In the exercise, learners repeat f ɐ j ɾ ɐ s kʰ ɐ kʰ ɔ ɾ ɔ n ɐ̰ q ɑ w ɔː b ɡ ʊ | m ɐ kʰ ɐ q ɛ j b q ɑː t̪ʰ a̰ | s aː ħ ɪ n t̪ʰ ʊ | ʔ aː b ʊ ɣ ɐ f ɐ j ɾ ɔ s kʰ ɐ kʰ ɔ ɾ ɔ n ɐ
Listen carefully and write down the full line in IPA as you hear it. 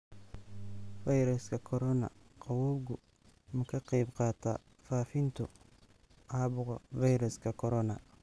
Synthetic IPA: f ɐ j ɾ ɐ s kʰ ɐ kʰ ɔ ɾ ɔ n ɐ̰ q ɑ w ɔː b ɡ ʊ | m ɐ kʰ ɐ q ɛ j b q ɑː t̪ʰ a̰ | f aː f ɪ n t̪ʰ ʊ | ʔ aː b ʊ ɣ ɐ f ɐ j ɾ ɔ s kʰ ɐ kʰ ɔ ɾ ɔ n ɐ